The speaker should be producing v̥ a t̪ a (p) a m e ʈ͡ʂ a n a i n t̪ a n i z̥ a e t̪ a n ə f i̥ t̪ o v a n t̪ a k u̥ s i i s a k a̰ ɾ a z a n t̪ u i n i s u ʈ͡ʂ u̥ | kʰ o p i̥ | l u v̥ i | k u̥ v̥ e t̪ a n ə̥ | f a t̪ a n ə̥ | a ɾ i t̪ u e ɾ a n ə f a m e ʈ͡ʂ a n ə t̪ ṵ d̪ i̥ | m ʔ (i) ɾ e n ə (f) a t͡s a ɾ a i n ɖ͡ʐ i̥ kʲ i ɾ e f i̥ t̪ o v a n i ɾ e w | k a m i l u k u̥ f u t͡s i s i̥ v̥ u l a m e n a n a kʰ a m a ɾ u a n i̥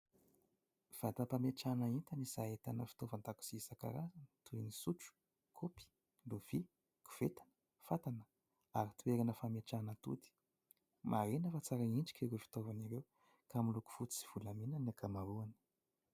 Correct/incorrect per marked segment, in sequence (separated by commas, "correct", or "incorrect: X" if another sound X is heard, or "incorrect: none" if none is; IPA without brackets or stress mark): correct, incorrect: a, correct